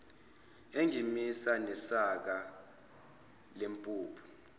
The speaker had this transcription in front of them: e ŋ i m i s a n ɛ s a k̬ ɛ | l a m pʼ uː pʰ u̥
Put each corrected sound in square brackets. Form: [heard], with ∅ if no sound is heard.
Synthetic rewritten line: e ŋ i m i s a n ɛ s a k̬ [a] | l [e] m pʼ uː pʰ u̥